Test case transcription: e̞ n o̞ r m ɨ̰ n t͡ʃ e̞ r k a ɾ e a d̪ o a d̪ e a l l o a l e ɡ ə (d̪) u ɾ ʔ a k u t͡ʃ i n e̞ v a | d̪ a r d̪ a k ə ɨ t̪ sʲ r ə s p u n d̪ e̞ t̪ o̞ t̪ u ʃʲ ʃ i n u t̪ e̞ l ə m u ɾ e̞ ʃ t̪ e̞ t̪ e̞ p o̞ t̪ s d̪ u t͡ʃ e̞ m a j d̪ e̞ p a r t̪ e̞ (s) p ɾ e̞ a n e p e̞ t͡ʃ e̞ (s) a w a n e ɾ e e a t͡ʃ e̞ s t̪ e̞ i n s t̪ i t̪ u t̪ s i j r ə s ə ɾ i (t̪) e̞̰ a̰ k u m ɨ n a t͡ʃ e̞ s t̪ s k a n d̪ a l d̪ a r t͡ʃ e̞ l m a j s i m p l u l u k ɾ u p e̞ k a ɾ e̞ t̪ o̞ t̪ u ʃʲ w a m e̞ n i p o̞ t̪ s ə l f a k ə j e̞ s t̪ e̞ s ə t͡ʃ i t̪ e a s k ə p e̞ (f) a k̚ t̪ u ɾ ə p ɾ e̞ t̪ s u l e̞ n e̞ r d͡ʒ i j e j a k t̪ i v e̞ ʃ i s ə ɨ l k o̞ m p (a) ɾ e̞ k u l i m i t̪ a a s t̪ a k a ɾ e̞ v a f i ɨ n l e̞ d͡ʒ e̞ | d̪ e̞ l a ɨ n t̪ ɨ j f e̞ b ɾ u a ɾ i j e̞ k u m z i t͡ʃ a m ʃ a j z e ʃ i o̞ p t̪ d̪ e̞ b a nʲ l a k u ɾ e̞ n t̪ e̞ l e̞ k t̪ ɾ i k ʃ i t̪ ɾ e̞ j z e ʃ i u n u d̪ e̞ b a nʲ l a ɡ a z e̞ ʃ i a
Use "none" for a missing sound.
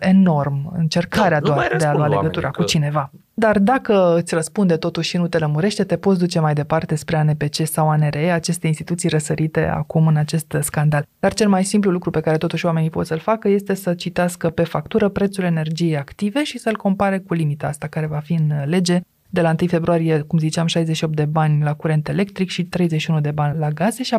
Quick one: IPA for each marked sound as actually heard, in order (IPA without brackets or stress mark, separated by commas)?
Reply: t̪, s, s, t̪, f, a